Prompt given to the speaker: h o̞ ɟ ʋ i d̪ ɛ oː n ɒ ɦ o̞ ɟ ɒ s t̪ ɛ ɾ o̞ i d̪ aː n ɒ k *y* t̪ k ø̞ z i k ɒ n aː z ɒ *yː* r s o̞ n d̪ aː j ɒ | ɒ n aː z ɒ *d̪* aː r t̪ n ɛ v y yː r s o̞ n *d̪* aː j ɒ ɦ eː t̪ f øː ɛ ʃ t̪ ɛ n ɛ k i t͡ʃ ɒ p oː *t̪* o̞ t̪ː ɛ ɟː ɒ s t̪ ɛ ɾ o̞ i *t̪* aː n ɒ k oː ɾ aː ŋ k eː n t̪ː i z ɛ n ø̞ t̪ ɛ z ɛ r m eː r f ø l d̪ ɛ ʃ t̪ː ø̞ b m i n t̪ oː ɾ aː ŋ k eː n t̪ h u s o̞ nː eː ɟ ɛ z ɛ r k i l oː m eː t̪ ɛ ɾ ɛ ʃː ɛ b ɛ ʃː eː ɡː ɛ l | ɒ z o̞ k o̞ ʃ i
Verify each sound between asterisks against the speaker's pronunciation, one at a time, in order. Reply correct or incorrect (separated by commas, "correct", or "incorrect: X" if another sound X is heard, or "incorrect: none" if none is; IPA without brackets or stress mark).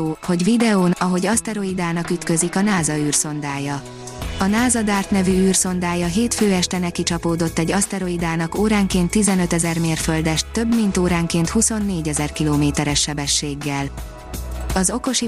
correct, correct, correct, correct, incorrect: d̪, incorrect: d̪